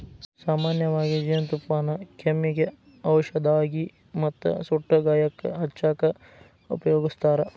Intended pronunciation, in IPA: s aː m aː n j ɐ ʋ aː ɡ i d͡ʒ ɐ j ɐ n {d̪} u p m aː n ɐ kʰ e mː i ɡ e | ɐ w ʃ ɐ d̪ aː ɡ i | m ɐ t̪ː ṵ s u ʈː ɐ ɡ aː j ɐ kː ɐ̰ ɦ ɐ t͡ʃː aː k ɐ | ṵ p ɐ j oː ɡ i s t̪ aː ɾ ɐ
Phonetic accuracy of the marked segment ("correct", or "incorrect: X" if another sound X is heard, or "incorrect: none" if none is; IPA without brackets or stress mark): incorrect: t̪